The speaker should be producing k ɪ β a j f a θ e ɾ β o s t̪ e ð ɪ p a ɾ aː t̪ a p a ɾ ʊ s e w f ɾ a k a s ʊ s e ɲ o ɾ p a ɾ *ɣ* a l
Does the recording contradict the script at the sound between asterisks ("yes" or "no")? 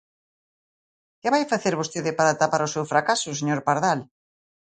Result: yes